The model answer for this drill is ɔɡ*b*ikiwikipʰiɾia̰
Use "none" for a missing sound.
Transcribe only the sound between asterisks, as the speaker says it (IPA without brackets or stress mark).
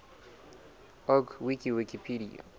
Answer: w